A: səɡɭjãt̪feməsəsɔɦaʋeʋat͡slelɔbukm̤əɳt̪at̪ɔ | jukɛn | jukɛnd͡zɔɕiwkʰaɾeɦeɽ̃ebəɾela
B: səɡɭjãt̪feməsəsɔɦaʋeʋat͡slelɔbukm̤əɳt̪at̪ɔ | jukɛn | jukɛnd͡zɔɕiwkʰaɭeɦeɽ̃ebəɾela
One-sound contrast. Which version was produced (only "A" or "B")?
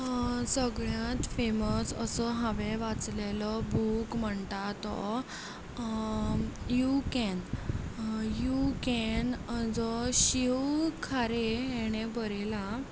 A